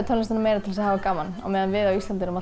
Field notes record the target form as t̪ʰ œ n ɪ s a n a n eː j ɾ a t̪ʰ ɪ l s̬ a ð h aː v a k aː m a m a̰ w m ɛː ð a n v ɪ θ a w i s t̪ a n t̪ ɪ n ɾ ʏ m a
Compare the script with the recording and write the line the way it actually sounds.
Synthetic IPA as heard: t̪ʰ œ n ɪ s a n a m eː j ɾ a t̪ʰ ɪ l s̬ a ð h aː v a k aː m a n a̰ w m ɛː ð a n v ɪ ð a w i s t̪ a n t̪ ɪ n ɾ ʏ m a